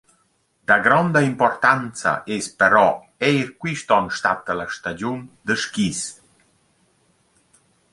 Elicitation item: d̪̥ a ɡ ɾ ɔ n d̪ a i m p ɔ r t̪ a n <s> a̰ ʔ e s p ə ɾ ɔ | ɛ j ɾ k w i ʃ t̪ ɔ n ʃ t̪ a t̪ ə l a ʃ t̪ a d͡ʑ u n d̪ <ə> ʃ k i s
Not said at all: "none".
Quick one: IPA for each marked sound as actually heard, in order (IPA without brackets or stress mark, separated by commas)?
t͡s, ə